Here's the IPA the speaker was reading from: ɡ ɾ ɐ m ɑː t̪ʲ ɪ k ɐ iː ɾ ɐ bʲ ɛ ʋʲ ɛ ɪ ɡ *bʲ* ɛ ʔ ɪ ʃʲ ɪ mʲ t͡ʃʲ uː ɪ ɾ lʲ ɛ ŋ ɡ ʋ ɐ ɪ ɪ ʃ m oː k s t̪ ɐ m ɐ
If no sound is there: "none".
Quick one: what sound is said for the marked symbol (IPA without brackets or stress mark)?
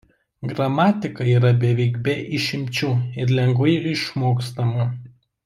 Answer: bʲ